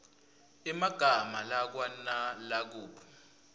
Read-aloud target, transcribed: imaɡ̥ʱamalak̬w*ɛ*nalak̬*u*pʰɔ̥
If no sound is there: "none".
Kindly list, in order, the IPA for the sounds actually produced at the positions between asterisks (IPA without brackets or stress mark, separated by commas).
a, uː